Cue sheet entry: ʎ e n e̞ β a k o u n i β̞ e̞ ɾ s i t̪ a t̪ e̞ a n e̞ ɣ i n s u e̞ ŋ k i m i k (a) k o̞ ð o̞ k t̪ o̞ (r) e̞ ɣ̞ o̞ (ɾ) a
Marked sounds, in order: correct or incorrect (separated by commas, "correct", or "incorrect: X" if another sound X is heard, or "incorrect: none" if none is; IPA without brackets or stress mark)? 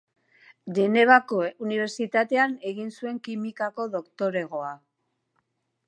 correct, incorrect: ɾ, incorrect: none